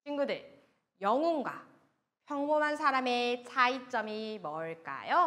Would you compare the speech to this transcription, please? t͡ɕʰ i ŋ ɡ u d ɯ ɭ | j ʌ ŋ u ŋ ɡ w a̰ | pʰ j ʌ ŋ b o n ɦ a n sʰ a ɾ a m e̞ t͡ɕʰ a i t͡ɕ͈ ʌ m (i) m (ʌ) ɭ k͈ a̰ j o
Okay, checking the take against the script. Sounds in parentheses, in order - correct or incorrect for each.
correct, correct

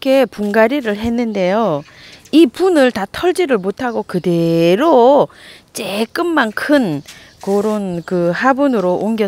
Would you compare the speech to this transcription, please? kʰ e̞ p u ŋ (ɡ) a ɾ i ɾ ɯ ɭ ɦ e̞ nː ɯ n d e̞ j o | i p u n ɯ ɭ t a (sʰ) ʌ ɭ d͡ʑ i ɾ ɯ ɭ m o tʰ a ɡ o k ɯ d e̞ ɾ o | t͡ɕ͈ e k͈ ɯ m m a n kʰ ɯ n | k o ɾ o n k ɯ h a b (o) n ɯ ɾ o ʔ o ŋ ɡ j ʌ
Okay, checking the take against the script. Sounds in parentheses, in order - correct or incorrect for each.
correct, incorrect, incorrect

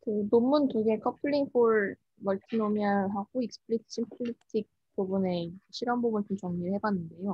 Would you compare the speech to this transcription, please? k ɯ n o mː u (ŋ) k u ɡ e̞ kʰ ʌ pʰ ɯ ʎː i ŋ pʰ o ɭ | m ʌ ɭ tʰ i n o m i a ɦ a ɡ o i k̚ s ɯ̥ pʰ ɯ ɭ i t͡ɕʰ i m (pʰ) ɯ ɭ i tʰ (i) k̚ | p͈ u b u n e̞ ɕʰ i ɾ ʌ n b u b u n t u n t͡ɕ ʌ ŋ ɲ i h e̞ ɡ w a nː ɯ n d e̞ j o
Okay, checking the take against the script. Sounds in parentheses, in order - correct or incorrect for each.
incorrect, correct, correct

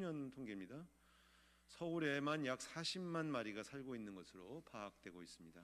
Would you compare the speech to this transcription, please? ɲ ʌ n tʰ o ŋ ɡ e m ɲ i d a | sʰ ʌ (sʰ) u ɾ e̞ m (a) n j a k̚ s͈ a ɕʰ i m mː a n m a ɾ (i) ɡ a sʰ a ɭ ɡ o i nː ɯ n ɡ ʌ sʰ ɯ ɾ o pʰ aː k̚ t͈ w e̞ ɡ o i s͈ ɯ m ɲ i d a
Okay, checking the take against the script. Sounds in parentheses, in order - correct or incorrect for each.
incorrect, correct, correct

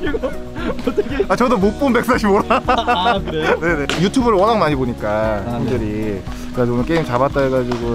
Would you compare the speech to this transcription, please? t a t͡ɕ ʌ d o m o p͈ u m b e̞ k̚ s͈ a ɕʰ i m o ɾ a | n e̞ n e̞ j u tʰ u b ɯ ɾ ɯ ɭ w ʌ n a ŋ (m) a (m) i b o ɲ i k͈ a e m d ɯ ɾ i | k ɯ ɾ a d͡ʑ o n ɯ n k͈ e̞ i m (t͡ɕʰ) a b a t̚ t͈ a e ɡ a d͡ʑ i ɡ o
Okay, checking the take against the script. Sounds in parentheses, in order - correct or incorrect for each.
correct, incorrect, incorrect

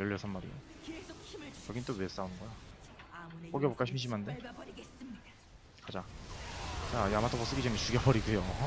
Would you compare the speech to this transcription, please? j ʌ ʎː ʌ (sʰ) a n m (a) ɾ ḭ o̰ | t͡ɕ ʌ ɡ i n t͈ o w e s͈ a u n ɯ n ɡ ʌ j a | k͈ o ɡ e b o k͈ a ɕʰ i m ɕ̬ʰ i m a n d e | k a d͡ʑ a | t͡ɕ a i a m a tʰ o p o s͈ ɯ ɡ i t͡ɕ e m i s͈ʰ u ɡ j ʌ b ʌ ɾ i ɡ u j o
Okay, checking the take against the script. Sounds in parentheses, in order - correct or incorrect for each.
correct, correct

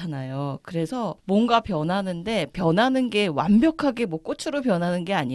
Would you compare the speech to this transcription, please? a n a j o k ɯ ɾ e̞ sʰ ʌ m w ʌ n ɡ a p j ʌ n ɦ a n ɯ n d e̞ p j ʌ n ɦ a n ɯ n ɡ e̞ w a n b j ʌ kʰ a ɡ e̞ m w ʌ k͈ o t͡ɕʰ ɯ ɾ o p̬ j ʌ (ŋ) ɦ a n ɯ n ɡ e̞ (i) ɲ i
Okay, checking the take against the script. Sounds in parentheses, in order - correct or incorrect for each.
incorrect, incorrect

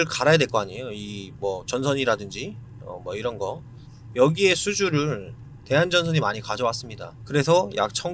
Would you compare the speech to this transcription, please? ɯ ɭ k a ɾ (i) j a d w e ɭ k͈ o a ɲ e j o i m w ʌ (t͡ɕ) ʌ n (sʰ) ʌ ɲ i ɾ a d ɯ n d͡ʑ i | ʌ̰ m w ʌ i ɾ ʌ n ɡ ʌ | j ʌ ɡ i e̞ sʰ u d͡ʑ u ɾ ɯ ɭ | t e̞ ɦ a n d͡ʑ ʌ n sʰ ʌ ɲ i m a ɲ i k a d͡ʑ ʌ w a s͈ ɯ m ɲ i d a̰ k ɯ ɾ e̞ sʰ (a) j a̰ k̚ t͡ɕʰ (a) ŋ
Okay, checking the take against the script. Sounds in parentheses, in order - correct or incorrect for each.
incorrect, correct, correct, incorrect, incorrect

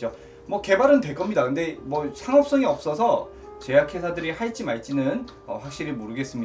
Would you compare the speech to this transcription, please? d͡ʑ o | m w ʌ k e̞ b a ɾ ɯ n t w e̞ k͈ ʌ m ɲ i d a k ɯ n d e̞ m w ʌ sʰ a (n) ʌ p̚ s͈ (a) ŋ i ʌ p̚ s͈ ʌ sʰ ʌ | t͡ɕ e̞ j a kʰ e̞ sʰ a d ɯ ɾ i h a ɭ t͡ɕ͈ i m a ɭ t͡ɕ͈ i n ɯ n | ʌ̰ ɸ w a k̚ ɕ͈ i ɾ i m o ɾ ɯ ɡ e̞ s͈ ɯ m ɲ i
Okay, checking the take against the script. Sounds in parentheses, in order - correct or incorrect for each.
incorrect, incorrect

